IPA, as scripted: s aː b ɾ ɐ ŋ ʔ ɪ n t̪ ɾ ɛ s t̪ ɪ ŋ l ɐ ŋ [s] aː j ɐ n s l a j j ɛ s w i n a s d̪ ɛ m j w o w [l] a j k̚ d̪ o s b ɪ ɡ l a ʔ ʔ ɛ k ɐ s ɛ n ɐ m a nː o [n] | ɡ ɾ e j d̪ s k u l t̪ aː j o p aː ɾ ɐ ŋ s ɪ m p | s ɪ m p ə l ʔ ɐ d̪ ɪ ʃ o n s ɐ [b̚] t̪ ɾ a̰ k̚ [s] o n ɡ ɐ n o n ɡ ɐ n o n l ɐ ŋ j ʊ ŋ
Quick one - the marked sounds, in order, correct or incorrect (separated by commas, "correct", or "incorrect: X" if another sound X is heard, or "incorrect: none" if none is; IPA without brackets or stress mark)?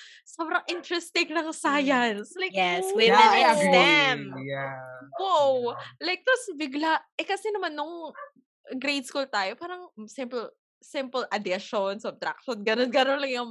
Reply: correct, correct, incorrect: ŋ, correct, incorrect: ʃ